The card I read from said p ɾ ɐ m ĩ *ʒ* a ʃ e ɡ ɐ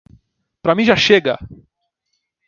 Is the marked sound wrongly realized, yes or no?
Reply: no